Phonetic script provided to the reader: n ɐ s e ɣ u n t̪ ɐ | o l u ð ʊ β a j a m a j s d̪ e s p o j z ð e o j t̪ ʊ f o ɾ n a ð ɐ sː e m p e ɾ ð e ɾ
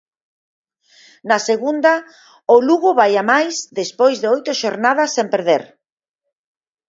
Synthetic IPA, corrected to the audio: n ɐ s e ɣ u n d̪ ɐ | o l u ɣ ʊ β a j a m a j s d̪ e s p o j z ð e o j t̪ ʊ ʃ o ɾ n a ð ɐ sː e m p e ɾ ð e ɾ